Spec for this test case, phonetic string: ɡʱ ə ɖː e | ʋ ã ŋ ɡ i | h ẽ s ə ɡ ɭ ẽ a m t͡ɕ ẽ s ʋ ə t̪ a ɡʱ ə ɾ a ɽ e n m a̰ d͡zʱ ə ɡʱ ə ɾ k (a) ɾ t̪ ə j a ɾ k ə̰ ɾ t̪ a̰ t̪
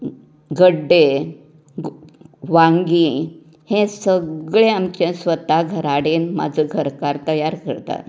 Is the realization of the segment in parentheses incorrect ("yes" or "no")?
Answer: no